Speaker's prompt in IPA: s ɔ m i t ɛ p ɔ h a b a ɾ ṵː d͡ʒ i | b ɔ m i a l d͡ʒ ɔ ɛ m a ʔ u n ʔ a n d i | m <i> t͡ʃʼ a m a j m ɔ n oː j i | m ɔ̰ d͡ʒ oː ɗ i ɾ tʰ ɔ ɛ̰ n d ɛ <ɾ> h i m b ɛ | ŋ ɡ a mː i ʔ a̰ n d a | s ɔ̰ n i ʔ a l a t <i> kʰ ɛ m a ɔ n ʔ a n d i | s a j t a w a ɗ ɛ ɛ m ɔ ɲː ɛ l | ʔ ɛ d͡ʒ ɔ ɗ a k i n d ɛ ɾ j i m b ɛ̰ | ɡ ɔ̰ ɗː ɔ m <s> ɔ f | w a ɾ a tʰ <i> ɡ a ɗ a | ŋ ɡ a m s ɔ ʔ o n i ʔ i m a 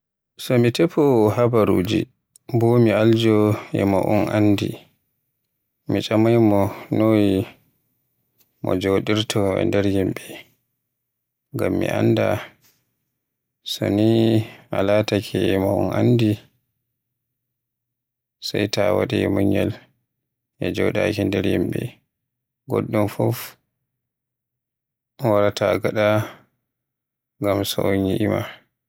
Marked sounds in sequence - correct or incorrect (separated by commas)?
correct, correct, incorrect, incorrect, incorrect